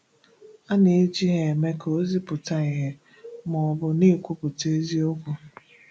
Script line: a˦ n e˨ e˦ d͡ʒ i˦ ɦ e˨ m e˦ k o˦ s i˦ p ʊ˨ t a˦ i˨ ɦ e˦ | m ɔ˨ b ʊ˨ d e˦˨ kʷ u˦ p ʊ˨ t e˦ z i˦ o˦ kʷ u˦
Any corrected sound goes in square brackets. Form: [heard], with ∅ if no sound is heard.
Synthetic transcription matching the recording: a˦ n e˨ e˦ d͡ʒ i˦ ɦ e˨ m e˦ k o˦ [z] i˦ p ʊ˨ t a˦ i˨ ɦ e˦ | m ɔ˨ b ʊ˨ [n] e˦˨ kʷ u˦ p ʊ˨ t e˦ z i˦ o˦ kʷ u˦